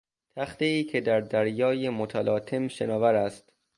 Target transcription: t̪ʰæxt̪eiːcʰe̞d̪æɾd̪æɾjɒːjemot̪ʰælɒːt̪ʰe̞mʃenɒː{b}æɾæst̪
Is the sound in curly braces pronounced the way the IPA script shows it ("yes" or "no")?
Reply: no